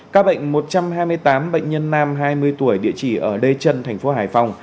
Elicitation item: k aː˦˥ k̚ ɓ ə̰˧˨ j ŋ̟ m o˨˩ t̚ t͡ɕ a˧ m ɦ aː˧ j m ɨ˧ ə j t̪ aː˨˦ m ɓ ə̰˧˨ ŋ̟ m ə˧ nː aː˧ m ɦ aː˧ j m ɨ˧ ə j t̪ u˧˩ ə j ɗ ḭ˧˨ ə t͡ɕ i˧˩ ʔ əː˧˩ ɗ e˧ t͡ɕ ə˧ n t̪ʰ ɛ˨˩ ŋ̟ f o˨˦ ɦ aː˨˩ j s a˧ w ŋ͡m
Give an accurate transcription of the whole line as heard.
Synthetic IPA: k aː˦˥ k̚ ɓ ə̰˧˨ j ŋ̟ m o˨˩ t̚ t͡ɕ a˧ m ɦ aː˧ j m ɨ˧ ə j t̪ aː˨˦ m ɓ ə̰˧˨ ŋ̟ ɲ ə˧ nː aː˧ m ɦ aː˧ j m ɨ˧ ə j t̪ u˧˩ ə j ɗ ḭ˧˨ ə t͡ɕ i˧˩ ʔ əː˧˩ ɗ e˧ t͡ɕ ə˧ n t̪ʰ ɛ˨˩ ŋ̟ f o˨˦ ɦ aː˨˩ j f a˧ w ŋ͡m

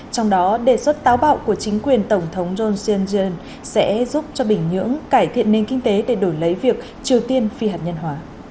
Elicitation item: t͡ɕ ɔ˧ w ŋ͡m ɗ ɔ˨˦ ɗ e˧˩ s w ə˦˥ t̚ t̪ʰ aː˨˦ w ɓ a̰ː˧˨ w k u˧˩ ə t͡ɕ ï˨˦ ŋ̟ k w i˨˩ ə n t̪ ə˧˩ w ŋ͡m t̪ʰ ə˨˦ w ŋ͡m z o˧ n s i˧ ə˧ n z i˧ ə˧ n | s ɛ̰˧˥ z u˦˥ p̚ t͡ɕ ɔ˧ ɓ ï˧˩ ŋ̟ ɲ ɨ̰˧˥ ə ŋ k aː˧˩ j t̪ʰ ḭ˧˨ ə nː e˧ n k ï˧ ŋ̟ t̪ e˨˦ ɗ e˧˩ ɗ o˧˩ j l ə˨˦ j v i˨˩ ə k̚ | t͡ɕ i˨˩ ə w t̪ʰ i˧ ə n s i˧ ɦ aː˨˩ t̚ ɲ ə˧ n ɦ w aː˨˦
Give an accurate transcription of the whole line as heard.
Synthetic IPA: t͡ɕ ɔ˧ w ŋ͡m ɗ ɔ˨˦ ɗ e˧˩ s w ə˦˥ t̚ t̪ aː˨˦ w ɓ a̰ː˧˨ w k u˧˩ ə t͡ɕ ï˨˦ ŋ̟ k w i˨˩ ə n t̪ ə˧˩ w ŋ͡m t̪ʰ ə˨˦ w ŋ͡m z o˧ n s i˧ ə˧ n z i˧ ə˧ n | s ɛ̰˧˥ z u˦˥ p̚ t͡ɕ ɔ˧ ɓ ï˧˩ ŋ̟ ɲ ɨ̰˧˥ ə ŋ k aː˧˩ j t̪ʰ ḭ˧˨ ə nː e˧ n k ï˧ ŋ̟ t̪ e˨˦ ɗ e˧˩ ɗ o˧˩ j l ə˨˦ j v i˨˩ ə k̚ | t͡ɕ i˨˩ ə w t̪ i˧ ə n f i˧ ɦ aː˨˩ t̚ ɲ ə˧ n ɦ w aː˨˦

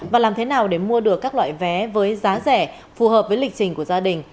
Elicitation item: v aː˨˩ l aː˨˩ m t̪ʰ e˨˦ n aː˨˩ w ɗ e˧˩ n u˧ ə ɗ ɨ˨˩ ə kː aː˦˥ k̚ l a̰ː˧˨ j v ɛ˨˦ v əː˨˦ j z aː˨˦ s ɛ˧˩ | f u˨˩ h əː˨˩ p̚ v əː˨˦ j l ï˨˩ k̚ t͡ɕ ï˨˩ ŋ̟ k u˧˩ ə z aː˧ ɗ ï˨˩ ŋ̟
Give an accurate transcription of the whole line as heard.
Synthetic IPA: v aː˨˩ l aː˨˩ m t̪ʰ e˨˦ n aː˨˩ w ɗ e˧˩ m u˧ ə ɗ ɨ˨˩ ə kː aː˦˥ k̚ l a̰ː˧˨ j v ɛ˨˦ v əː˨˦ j z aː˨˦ z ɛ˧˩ | f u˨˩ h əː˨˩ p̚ v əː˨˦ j l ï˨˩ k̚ t͡ɕ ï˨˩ ŋ̟ k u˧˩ ə z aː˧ ɗ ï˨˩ ŋ̟

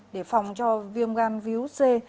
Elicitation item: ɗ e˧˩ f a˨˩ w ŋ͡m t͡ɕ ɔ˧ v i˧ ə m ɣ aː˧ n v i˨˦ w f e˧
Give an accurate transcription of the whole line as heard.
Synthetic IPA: ɗ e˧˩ f a˨˩ w ŋ͡m t͡ɕ ɔ˧ v i˧ ə m ɣ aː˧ n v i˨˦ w s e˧

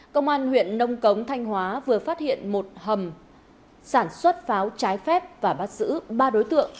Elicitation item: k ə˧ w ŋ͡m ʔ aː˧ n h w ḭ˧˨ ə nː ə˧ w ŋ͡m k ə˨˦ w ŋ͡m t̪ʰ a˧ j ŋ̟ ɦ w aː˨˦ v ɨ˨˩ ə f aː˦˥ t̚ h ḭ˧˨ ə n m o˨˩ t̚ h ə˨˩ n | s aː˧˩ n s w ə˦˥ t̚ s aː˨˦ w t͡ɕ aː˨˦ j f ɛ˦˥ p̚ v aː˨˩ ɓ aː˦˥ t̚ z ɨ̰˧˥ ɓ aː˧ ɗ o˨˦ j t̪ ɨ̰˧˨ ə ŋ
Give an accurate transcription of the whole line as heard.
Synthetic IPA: k ə˧ w ŋ͡m ʔ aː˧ n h w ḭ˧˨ ə nː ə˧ w ŋ͡m k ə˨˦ w ŋ͡m t̪ʰ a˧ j ŋ̟ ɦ w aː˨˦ v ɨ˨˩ ə f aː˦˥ t̚ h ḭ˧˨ ə n m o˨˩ t̚ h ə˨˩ m | s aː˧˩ n s w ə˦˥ t̚ f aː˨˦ w t͡ɕ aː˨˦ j f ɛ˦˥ p̚ v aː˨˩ ɓ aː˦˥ t̚ z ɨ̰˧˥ ɓ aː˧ ɗ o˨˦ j t̪ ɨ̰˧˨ ə ŋ

